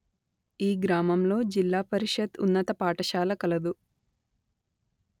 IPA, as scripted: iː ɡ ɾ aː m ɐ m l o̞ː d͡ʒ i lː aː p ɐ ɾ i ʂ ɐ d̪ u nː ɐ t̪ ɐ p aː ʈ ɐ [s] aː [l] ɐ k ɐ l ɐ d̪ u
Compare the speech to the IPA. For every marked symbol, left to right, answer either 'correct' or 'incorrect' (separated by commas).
incorrect, correct